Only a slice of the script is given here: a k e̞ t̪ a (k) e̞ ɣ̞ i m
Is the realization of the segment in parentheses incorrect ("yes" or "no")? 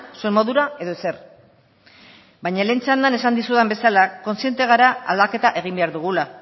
yes